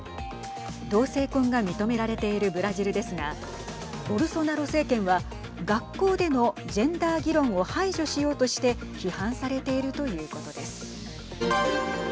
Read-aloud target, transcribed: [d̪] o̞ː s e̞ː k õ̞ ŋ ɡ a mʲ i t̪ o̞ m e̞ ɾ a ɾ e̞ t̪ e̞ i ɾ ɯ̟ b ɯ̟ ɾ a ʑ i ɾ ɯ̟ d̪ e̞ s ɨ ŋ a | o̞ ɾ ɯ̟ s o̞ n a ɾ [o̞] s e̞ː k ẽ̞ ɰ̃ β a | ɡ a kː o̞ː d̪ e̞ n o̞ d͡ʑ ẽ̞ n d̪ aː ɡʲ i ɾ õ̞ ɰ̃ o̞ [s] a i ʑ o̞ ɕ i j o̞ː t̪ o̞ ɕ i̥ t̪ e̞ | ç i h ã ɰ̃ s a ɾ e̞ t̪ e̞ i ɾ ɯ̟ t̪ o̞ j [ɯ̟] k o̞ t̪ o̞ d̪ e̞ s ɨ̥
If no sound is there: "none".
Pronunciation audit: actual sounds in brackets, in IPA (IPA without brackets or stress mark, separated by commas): d̪, o̞, h, ɯ̟ː